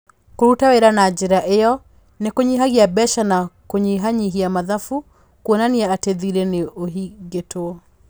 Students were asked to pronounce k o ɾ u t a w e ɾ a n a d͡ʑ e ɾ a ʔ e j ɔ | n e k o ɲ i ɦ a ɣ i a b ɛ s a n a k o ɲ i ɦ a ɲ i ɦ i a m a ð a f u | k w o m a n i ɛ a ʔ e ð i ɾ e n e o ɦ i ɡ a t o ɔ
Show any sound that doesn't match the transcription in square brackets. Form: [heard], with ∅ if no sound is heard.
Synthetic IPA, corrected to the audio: k o ɾ u t a w e ɾ a n a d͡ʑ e ɾ a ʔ e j ɔ | n e k o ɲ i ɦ a ɣ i a b ɛ [ʃ] a n a k o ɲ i ɦ a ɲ i ɦ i a m a ð a f u | k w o [n] a n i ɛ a [t] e ð i ɾ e n e o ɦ i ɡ [e] t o ɔ